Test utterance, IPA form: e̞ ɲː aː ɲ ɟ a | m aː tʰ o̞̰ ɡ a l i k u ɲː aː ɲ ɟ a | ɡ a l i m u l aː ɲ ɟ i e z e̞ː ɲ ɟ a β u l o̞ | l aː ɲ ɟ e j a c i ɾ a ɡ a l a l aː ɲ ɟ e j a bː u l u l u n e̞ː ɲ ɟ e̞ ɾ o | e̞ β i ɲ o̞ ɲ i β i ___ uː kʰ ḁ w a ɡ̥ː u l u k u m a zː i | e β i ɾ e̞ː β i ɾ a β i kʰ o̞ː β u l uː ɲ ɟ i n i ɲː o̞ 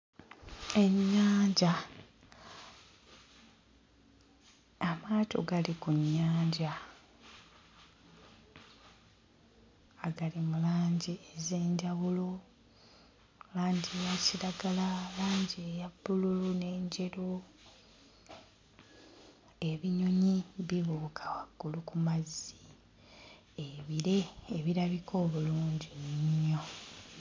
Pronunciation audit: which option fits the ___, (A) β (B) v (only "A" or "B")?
A